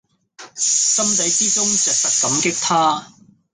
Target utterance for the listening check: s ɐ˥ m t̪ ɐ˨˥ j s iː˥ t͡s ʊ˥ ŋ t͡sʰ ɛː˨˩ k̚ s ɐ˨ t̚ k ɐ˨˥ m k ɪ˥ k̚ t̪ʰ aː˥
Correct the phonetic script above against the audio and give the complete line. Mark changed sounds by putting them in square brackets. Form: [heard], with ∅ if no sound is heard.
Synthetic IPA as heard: s ɐ˥ m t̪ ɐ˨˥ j [t͡s] iː˥ t͡s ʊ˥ ŋ [t͡s] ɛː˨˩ k̚ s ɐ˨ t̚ k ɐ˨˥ m k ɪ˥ k̚ t̪ʰ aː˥